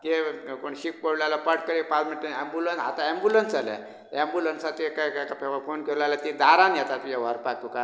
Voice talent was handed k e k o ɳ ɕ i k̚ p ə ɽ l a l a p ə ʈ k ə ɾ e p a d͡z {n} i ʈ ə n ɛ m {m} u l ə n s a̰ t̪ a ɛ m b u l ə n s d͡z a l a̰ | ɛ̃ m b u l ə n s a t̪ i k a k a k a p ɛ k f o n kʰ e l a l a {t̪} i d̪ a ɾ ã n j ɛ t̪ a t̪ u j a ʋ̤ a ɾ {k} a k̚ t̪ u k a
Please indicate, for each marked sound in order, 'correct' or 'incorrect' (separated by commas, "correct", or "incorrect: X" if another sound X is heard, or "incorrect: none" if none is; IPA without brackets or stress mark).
incorrect: m, incorrect: b, correct, incorrect: p